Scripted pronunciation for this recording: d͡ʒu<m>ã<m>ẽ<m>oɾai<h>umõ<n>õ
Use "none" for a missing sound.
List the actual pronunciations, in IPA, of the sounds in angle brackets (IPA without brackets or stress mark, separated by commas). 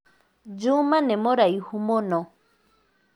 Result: m, n, m, h, n